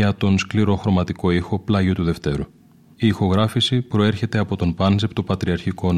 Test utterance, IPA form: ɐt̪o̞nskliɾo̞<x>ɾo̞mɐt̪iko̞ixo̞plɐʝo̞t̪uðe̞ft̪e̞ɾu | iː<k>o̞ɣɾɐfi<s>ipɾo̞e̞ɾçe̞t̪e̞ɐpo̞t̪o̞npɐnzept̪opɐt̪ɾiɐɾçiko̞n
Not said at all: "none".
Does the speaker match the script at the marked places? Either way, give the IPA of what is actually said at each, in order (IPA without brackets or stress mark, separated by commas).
x, x, s